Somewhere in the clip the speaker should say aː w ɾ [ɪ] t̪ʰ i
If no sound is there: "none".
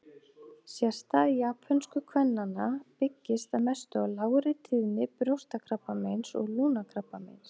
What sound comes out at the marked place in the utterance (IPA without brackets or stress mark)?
ɪ